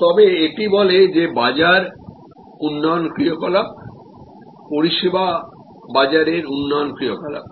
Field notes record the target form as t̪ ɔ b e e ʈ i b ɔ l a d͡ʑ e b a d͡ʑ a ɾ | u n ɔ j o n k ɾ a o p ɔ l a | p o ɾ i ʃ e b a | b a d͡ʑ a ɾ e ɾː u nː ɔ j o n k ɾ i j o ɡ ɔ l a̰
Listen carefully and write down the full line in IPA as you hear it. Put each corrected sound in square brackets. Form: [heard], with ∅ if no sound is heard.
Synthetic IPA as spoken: t̪ ɔ b e e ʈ i b ɔ l [e] d͡ʑ e b a d͡ʑ a ɾ | u [nː] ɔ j o n k ɾ [i] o [k] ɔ l a | p o ɾ i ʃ e b a | b a d͡ʑ a ɾ e [ɾ] u nː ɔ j o n k ɾ i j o [k] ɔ l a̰